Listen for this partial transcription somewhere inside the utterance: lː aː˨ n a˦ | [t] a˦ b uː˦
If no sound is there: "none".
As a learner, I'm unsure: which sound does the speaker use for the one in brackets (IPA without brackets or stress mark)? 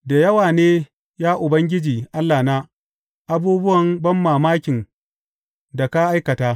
ʔ